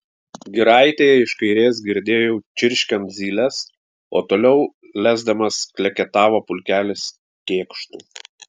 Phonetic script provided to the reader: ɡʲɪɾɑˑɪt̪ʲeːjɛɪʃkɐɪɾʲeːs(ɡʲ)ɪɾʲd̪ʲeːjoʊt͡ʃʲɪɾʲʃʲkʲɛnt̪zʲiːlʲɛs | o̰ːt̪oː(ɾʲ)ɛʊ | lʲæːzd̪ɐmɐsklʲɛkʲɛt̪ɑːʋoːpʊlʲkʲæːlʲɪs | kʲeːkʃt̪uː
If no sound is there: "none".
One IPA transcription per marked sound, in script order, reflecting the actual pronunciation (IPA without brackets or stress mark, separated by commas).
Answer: ɡʲ, lʲ